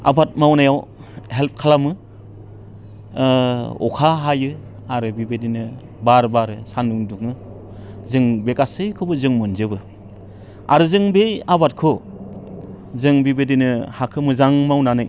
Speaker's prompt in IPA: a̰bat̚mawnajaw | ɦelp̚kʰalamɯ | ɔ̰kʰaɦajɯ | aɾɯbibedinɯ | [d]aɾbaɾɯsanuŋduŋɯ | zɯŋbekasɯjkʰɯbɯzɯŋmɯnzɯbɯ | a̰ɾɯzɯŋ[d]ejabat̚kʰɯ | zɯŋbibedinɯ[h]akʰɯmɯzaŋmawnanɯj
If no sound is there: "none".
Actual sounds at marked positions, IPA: b, b, h

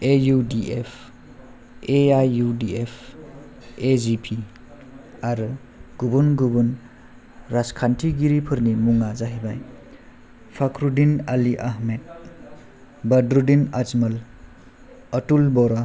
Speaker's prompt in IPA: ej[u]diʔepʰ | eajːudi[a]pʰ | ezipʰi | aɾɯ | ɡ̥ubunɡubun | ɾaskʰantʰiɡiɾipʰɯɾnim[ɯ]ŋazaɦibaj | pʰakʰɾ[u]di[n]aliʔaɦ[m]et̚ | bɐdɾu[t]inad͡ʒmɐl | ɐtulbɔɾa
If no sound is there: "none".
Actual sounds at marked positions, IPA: u, e, u, u, n, m, d

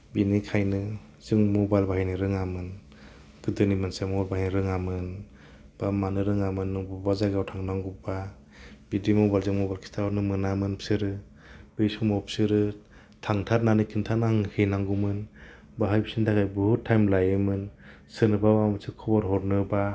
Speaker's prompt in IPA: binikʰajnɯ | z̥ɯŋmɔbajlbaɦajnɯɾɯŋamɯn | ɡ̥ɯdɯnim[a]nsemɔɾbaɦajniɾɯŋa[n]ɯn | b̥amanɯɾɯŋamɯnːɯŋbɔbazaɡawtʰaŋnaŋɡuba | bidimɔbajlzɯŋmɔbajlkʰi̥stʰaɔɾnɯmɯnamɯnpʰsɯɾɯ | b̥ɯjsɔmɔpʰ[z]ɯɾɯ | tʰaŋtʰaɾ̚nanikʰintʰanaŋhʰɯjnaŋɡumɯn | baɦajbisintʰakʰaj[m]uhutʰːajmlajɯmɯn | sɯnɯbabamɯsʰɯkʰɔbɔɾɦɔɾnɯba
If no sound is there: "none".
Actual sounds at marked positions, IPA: a, m, s, b

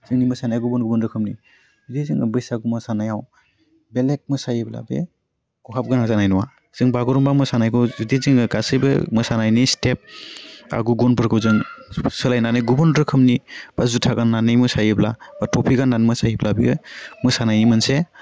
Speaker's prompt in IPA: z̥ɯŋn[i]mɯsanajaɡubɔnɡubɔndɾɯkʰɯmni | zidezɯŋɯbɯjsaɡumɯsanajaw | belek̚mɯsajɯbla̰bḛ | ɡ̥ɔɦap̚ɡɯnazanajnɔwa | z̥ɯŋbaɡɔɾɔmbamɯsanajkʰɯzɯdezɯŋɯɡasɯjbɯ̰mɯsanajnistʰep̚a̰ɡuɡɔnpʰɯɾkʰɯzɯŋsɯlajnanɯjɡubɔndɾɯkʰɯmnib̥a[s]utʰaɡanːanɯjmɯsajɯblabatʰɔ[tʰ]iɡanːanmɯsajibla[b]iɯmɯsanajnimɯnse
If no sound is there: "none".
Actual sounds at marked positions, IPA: i, z, pʰ, b

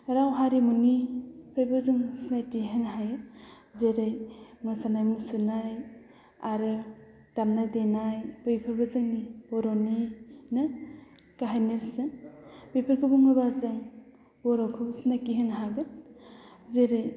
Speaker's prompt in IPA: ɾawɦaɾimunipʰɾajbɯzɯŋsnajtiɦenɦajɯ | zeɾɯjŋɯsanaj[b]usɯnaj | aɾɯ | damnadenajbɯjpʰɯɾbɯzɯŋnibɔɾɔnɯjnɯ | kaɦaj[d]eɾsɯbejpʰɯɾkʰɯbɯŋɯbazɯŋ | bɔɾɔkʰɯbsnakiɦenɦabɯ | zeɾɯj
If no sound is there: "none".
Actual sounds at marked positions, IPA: m, n

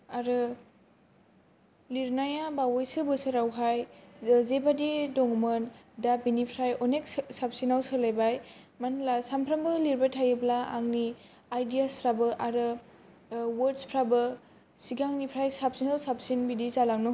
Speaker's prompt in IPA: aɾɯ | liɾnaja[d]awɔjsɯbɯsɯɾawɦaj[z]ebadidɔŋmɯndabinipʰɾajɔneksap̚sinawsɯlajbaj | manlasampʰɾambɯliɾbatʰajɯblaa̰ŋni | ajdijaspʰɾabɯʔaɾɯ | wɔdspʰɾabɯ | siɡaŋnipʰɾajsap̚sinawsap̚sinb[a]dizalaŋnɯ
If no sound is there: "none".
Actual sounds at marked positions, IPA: b, z, i

